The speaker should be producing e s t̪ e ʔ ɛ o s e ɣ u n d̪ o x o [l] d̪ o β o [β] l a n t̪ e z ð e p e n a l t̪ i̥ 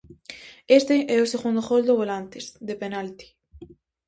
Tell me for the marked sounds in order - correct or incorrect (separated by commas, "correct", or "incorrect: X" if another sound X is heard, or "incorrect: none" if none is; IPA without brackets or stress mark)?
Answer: correct, incorrect: none